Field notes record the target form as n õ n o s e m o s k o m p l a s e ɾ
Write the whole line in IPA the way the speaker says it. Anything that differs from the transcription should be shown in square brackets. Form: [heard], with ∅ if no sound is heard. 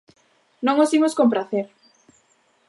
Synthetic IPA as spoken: n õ [ŋ] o s [i] m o s k o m p [ɾ] a [θ] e ɾ